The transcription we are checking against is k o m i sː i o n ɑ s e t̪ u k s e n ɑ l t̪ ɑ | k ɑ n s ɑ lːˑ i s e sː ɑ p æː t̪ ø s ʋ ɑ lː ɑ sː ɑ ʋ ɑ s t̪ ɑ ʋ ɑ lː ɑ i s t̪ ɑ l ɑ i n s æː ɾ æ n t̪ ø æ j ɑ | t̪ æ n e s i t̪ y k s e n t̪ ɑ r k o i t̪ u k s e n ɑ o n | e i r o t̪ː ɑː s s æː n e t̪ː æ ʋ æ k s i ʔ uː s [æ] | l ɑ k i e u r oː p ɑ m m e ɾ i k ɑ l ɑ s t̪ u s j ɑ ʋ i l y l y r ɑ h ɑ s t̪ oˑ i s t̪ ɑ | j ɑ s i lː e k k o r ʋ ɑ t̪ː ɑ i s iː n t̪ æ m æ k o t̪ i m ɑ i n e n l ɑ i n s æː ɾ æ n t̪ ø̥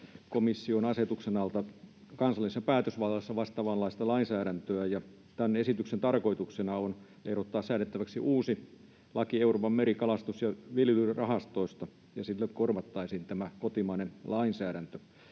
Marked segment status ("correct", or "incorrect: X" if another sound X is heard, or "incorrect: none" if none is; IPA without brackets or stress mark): incorrect: i